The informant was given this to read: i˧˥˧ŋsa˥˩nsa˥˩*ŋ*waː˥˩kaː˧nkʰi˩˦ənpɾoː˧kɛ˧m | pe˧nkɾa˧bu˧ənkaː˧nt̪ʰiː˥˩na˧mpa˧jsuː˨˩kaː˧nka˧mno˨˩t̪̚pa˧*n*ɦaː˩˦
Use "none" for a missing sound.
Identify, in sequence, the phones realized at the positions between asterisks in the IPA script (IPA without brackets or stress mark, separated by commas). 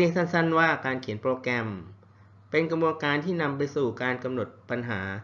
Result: n, n